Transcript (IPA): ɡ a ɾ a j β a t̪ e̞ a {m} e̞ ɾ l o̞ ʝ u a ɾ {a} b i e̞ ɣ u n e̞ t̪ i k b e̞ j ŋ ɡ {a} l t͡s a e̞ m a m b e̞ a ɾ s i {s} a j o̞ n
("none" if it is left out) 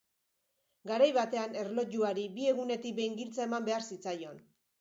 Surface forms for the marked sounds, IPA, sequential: n, i, i, t͡s

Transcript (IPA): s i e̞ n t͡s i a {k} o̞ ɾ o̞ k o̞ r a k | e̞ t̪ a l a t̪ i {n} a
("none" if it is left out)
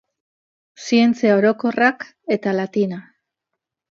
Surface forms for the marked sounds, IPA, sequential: none, n

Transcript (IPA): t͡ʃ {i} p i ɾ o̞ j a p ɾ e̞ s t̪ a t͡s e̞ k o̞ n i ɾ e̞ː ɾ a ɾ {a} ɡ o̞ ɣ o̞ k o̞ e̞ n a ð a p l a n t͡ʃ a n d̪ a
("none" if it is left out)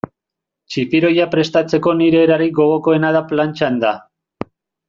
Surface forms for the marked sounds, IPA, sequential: i, i

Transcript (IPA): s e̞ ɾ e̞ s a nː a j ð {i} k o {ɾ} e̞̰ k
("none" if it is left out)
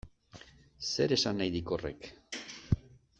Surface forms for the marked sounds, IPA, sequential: i, r

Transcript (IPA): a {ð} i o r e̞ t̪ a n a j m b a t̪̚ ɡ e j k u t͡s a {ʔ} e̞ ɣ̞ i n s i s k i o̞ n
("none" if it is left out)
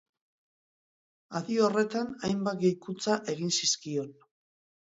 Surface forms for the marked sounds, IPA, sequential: ð, ʔ

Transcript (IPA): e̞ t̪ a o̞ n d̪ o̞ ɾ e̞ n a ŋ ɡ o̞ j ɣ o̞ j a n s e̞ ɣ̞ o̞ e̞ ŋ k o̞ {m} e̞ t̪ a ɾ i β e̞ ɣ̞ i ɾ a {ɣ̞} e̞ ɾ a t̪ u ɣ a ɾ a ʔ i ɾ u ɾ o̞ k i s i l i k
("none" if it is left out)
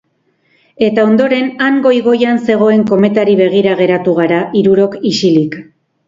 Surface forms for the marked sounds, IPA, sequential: m, ɣ̞

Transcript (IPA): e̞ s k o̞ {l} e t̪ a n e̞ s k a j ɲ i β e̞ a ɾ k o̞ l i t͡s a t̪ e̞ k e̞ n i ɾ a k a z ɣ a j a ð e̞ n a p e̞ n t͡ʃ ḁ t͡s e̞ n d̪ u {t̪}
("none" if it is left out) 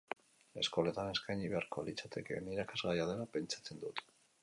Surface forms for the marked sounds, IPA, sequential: l, t̪

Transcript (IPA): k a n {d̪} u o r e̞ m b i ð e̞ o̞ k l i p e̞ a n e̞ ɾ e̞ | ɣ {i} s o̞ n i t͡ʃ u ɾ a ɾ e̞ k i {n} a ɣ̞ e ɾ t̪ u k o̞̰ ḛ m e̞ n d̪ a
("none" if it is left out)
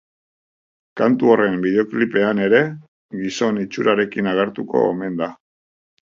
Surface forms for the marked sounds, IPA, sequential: t̪, i, n

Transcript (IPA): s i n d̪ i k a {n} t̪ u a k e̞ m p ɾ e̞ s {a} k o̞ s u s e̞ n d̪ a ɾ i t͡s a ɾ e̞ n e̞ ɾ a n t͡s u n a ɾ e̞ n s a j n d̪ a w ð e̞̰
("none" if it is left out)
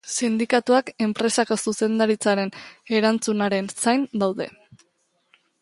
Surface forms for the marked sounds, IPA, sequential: none, a

